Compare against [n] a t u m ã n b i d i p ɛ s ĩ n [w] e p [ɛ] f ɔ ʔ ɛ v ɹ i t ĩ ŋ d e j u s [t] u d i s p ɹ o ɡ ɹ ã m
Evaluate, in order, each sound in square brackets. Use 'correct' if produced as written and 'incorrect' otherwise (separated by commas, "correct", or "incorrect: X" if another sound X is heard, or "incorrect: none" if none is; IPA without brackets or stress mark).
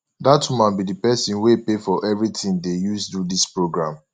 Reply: incorrect: d, correct, incorrect: e, incorrect: d